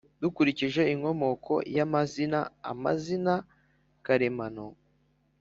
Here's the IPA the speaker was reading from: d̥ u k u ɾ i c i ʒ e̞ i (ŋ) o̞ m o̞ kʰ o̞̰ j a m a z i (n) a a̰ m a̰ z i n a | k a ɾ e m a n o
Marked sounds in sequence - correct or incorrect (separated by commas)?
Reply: correct, correct